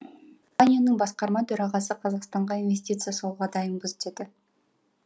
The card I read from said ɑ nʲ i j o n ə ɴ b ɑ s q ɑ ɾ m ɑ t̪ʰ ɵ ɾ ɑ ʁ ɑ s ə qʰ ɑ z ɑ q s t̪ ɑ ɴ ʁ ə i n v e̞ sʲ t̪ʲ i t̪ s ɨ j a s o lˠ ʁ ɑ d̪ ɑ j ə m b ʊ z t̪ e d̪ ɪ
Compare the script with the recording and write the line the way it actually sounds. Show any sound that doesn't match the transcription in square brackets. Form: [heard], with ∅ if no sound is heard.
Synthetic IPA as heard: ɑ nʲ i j o n ə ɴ b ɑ s q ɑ ɾ m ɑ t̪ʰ ɵ ɾ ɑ ʁ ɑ s ə qʰ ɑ z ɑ q s t̪ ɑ ɴ ʁ [ɑ] i n v e̞ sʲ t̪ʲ i t̪ s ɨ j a s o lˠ ʁ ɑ d̪ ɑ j ə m b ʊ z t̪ e d̪ ɪ